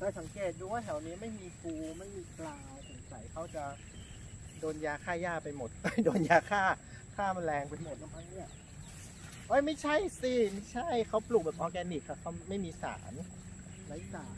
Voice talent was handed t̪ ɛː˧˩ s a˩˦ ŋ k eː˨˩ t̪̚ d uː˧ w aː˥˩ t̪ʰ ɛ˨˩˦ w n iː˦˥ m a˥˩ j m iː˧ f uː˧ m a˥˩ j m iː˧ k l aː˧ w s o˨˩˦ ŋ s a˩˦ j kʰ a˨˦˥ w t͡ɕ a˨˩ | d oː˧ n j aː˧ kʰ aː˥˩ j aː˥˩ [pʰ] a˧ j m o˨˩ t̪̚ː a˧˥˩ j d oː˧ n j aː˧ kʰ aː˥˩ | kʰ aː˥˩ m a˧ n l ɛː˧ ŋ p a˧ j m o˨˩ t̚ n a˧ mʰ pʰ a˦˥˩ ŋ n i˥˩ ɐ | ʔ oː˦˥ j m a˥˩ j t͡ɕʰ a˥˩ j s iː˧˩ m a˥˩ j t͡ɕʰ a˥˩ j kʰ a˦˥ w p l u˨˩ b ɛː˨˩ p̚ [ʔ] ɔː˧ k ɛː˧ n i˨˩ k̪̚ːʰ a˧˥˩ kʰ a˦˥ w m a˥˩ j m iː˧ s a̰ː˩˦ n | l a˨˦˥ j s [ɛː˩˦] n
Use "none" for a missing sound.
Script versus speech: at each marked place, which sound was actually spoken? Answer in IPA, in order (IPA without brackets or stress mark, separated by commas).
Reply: p, ʔ, aː˩˦